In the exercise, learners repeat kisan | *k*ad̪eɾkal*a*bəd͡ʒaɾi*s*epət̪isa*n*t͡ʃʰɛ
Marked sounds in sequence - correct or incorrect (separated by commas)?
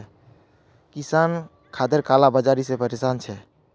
incorrect, correct, correct, correct